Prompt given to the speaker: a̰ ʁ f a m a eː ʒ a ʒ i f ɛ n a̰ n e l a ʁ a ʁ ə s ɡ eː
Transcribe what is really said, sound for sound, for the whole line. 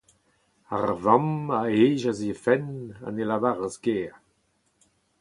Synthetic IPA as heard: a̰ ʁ v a m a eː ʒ a z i f ɛ n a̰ n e l a v a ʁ ə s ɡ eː